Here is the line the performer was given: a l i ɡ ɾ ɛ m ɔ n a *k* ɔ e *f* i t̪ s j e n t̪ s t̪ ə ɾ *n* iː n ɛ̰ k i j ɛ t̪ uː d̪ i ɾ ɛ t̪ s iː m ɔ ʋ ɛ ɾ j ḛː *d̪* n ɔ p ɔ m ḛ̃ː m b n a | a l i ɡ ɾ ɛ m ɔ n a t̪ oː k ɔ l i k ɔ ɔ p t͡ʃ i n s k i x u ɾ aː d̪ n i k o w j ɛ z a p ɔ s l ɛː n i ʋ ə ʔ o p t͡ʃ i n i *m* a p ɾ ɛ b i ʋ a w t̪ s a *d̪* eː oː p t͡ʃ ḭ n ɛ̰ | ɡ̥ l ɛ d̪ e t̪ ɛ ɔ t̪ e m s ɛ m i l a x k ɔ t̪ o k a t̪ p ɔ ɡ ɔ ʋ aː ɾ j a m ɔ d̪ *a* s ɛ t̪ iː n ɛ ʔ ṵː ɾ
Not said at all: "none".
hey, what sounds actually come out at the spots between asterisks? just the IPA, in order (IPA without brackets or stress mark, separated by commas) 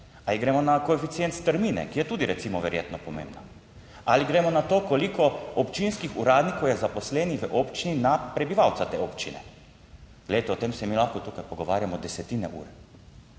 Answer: k, f, m, t̪, n, t̪, ɛ